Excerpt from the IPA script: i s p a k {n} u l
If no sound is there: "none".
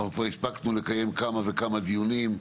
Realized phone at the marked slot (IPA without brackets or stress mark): n